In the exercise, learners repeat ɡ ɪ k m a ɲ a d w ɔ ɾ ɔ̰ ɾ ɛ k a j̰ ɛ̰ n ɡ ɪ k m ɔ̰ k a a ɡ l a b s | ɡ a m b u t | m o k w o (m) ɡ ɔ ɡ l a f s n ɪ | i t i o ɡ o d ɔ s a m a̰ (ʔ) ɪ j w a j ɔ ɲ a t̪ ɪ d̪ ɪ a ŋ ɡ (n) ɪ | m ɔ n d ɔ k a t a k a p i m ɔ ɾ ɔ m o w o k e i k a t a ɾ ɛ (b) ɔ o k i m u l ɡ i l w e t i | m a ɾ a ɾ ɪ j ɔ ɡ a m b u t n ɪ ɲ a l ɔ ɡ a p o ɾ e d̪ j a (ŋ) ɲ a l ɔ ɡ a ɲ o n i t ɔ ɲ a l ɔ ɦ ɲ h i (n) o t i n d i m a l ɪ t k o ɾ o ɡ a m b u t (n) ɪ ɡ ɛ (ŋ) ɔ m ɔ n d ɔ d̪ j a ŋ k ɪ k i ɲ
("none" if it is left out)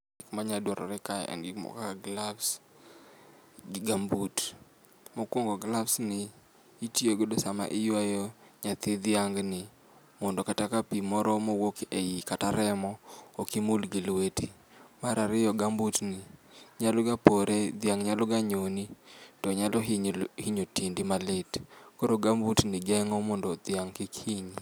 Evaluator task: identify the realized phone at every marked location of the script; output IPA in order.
ŋ, ʔ, n, m, ŋ, ɲ, n, ŋ

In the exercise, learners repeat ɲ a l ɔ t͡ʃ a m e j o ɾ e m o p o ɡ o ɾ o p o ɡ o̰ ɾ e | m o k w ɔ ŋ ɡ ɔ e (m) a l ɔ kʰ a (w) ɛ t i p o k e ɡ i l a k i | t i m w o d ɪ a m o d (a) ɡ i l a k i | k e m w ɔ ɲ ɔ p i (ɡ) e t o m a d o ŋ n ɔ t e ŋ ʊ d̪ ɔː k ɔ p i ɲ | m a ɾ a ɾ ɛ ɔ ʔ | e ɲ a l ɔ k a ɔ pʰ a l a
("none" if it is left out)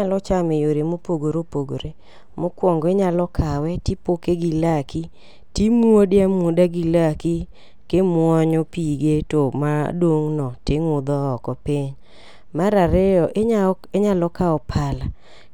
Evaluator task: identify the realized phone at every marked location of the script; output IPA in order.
ɲ, w, a, ɡ

